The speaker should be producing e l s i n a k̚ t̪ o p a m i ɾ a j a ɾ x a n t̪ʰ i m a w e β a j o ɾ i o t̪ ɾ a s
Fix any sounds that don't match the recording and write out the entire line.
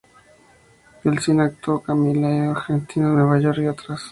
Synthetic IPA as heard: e l s i n a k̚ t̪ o k a m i l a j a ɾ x e n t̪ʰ i n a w e β a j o ɾ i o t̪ ɾ a s